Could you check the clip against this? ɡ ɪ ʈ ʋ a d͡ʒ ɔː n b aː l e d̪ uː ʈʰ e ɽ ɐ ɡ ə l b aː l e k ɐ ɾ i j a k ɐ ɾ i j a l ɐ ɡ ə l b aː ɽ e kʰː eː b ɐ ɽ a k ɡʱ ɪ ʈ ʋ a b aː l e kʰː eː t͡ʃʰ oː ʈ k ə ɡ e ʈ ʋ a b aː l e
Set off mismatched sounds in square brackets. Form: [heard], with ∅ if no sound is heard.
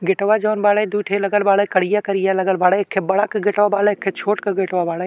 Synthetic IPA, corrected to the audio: ɡ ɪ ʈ ʋ a d͡ʒ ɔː n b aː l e d̪ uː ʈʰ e [l] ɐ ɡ ə l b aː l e k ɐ [ɽ] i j a k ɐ ɾ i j a l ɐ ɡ ə l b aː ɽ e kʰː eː b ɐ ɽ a k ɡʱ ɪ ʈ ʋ a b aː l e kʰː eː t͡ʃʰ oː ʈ k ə ɡ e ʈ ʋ a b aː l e